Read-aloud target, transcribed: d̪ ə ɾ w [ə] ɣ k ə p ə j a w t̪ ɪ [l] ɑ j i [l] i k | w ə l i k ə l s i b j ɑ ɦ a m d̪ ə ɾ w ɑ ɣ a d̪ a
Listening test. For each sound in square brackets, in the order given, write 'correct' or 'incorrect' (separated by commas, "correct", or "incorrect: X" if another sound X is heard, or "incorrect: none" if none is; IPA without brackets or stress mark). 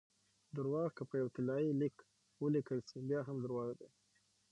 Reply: incorrect: ɑ, correct, correct